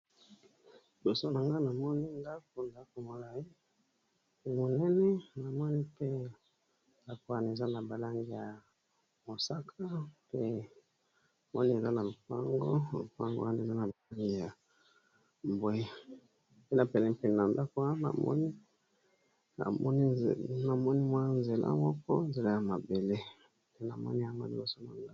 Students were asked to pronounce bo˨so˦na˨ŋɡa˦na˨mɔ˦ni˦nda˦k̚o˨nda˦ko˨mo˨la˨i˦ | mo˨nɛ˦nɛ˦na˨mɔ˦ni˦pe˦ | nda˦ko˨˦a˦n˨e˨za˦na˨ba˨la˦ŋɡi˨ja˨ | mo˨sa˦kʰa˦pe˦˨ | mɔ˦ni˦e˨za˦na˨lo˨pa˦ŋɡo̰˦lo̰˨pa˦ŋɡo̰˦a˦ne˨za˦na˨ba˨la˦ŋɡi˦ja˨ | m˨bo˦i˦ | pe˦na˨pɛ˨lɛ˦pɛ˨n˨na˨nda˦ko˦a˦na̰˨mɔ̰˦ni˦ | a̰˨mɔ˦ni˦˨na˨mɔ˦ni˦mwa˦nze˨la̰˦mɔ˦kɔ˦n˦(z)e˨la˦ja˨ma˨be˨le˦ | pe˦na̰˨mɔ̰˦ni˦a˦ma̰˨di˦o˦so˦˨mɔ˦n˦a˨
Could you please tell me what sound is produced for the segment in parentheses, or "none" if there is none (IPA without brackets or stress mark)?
z